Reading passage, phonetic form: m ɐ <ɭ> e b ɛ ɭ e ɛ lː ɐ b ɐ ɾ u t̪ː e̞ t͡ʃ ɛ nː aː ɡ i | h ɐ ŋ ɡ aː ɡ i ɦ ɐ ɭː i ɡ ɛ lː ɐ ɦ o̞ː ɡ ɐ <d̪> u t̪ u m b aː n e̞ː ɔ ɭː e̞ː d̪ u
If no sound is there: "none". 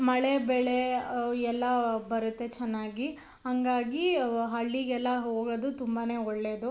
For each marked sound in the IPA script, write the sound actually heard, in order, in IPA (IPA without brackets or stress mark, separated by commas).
ɭ, d̪